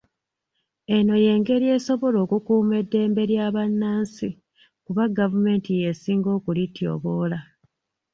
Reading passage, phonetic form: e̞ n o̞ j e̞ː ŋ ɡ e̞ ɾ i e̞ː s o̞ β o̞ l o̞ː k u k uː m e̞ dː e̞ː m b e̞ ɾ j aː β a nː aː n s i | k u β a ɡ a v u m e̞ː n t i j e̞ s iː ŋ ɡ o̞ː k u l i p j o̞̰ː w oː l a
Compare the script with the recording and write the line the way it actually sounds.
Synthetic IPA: e̞ n o̞ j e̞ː ŋ ɡ e̞ ɾ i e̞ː s o̞ β o̞ l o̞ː k u k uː m e̞ dː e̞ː m b e̞ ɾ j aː β a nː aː n s i | k u β a ɡ a v u m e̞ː n t i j e̞ s iː ŋ ɡ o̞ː k u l i t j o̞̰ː β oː l a